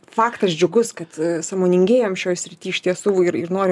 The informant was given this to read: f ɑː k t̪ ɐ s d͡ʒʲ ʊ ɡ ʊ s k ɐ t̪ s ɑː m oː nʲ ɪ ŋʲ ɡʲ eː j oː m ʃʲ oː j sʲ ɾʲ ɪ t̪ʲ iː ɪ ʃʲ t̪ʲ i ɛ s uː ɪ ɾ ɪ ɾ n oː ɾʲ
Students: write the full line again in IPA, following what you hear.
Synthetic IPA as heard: f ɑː k t̪ ɐ s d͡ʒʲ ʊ ɡ ʊ s k ɐ t̪ s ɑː m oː nʲ ɪ ŋʲ ɡʲ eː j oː m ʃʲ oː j sʲ ɾʲ ɪ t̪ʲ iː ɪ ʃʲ t̪ʲ i ɛ s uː ɪ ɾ ɪ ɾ n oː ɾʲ